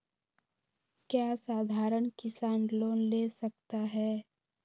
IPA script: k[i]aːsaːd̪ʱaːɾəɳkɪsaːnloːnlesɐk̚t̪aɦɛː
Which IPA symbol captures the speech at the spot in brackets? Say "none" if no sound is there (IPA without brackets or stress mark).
j